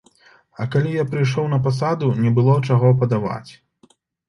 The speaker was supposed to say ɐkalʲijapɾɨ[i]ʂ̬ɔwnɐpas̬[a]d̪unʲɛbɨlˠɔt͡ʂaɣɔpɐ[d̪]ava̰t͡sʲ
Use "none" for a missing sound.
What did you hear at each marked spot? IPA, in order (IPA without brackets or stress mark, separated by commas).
j, a, d̪